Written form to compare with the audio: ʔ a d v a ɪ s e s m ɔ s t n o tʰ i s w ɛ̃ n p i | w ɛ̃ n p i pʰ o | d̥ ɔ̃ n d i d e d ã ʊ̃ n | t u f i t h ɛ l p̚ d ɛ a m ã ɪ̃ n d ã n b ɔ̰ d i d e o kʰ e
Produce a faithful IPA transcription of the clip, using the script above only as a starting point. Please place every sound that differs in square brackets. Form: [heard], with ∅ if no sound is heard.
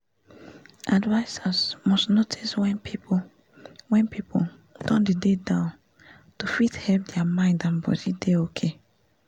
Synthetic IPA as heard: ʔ a d v a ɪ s [a] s m ɔ s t n o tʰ i s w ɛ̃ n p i | w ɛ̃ n p i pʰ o | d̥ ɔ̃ n d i d e d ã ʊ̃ n | t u f i t h ɛ l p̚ d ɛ a m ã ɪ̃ n d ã n b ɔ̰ d i d e o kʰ e